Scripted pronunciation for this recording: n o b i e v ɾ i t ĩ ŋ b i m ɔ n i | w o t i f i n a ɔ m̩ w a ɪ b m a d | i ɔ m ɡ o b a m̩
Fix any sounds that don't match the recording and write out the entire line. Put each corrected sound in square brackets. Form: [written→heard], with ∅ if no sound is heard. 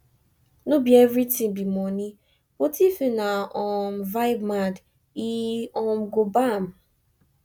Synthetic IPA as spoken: n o b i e v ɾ i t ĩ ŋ b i m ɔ n i | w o t i f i n a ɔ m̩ [w→v] a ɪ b m a d | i ɔ m ɡ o b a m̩